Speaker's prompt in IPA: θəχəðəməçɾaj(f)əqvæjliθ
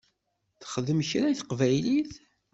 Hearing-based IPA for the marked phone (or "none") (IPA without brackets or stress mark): θ